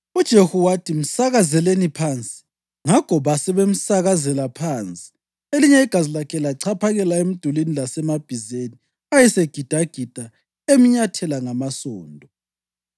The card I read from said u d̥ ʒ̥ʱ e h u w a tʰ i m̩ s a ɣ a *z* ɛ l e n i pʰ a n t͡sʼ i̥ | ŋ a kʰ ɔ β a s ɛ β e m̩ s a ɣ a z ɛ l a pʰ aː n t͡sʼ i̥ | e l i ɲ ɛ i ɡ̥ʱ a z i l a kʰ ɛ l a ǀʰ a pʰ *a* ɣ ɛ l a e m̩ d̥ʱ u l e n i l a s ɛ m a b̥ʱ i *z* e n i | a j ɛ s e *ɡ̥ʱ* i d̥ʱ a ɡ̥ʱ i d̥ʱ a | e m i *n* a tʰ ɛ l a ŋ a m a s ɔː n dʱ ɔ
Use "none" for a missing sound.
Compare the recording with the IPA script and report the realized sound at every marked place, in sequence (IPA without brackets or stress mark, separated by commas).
z, a, z, ɡ̥ʱ, ɲ